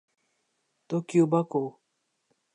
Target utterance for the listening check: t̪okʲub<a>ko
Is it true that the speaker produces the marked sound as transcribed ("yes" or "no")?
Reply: yes